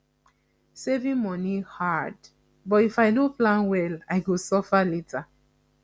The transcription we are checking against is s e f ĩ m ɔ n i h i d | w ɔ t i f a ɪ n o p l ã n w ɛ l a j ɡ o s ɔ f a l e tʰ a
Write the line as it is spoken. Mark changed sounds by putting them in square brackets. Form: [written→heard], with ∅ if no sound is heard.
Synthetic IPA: s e [f→v] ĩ m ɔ n i h [i→a] d | [w→b] ɔ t i f a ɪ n o p l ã n w ɛ l a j ɡ o s ɔ f a l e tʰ a